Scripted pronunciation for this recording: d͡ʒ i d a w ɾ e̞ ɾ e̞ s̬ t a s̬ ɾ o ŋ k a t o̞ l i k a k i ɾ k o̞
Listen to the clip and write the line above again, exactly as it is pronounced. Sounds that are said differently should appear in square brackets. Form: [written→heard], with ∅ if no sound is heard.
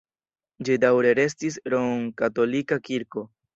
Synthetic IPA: d͡ʒ i d a w ɾ e̞ ɾ e̞ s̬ t [a→i] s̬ ɾ o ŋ k a t o̞ l i k a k i ɾ k o̞

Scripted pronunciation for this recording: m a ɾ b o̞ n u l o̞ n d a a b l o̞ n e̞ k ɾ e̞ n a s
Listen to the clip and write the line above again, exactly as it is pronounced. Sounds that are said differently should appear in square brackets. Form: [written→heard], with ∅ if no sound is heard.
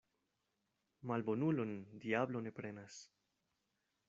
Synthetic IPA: m a [ɾ→l] b o̞ n u l o̞ n d [a→i] a b l o̞ n e̞ [k→p] ɾ e̞ n a s

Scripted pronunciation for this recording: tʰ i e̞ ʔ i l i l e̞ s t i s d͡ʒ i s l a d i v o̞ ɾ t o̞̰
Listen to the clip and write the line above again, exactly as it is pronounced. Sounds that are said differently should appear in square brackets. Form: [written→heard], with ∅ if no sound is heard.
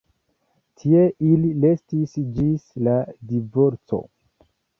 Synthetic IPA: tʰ i e̞ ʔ i l i l e̞ s t i s d͡ʒ i s l a d i v o̞ ɾ [t→t͡s] o̞̰

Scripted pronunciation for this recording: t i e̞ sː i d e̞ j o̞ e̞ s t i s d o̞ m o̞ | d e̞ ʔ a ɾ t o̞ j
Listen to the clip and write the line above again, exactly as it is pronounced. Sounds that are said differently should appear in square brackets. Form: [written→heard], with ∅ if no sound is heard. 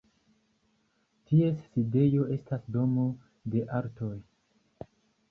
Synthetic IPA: t i e̞ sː i d e̞ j o̞ e̞ s t [i→a] s d o̞ m o̞ | d e̞ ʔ a ɾ t o̞ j

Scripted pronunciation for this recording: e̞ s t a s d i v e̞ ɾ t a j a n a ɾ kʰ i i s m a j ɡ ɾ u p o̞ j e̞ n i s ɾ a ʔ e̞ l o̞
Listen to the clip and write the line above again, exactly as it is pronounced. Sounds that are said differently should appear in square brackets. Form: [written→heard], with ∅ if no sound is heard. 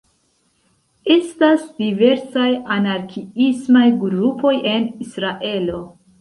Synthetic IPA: e̞ s t a s d i v e̞ ɾ [t→s] a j a n a ɾ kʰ i i s m a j ɡ ɾ u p o̞ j e̞ n i s ɾ a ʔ e̞ l o̞

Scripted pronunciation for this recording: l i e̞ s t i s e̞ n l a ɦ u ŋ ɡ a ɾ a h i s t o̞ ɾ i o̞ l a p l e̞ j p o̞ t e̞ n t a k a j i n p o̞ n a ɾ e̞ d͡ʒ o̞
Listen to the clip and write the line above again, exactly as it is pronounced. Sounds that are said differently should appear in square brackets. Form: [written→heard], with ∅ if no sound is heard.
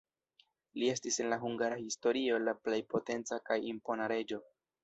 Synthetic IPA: l i e̞ s t i s e̞ n l a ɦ u ŋ ɡ a ɾ a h i s t o̞ ɾ i o̞ l a p l e̞ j p o̞ t e̞ n [t→t͡s] a k a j i [n→m] p o̞ n a ɾ e̞ d͡ʒ o̞

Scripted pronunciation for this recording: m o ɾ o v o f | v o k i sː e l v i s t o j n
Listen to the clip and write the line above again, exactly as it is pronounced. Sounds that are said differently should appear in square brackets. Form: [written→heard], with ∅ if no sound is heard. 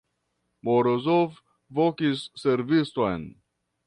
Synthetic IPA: m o ɾ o [v→z] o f | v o k i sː e [l→ɾ] v i s t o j n

